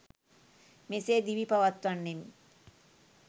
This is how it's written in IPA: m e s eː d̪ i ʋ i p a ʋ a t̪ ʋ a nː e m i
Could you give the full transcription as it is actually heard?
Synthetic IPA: m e s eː d̪ i ʋ i p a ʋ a t̪ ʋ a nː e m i